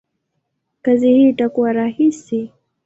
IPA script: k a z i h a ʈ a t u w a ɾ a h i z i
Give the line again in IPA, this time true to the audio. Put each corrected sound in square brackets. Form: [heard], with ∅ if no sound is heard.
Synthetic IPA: k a z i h [i] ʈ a [k] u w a ɾ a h i [s] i